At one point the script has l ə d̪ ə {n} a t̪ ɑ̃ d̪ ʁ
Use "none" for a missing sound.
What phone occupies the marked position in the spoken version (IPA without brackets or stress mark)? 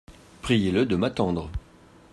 m